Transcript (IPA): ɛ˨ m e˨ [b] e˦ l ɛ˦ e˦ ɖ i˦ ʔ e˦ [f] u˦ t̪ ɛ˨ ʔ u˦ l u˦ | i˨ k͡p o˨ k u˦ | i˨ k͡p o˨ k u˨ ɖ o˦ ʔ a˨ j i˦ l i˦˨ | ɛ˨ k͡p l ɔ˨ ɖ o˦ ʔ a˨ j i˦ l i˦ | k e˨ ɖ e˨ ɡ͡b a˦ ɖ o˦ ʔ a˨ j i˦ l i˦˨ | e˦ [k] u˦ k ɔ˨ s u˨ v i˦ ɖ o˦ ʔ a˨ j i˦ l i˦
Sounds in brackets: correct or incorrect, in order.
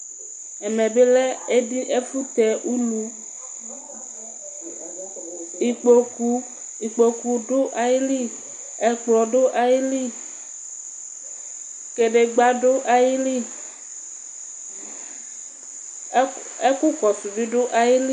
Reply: correct, correct, correct

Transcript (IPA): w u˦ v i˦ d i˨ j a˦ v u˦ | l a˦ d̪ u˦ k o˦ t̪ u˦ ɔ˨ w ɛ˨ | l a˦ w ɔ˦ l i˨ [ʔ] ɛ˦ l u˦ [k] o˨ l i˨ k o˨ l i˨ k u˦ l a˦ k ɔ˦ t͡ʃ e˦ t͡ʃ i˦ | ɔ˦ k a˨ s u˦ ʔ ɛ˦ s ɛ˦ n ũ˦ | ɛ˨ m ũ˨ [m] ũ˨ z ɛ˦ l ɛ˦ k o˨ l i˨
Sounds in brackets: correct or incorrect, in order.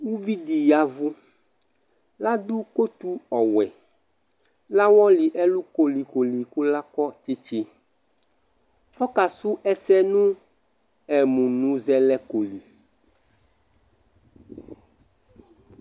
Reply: correct, correct, incorrect

